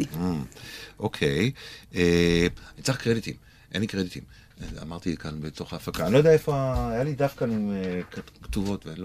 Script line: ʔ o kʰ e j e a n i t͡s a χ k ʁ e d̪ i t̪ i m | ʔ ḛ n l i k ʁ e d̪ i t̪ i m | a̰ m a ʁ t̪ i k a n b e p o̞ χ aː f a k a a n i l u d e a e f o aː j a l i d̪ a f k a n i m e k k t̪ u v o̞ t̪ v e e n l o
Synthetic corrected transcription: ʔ o kʰ e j e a n i t͡s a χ k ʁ e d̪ i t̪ i m | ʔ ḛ n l i k ʁ e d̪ i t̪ i m | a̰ m a ʁ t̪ i k a n b e t o̞ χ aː f a k a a n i l o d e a e f o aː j a l i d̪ a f k a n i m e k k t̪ u v o̞ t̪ v e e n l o